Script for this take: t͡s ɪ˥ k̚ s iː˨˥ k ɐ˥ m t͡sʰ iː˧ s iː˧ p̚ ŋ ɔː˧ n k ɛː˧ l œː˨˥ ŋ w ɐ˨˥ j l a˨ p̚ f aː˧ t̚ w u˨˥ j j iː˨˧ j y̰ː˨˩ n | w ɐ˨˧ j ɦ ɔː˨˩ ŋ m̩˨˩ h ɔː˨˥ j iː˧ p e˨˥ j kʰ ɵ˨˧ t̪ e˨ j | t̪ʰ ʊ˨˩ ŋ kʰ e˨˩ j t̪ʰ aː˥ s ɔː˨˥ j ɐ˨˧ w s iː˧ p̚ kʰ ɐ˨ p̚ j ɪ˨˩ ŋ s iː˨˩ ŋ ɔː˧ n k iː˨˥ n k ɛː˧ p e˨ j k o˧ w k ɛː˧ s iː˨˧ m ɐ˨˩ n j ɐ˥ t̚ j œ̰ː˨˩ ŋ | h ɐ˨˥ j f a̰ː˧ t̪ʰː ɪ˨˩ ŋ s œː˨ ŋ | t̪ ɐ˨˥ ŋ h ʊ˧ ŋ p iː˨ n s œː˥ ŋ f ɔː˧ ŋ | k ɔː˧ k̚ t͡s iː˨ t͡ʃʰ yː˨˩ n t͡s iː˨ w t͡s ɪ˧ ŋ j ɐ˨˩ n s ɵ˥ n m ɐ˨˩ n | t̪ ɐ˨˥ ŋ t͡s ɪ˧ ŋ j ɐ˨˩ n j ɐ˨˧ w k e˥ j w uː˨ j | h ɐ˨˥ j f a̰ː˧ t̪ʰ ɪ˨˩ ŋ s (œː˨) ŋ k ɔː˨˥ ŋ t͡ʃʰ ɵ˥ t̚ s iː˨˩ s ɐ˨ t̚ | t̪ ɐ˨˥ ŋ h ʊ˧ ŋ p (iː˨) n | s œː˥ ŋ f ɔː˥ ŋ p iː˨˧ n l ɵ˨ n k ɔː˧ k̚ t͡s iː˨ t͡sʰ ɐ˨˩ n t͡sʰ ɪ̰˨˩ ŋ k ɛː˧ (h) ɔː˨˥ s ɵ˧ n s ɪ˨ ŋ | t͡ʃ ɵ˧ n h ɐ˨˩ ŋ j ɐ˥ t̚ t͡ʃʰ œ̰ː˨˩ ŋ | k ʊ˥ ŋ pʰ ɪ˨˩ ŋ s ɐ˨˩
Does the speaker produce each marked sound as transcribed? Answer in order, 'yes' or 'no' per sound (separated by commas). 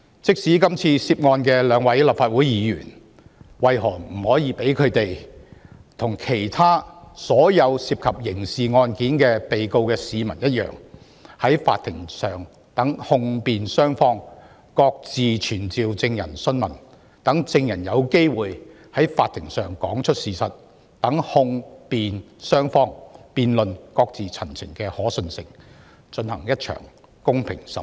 yes, yes, yes